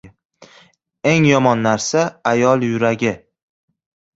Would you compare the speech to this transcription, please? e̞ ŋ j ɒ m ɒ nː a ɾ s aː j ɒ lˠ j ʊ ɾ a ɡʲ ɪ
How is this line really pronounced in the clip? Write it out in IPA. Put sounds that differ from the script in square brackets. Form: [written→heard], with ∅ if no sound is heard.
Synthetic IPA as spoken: e̞ ŋ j ɒ m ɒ nː a ɾ s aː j ɒ lˠ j ʊ ɾ a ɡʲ ɪ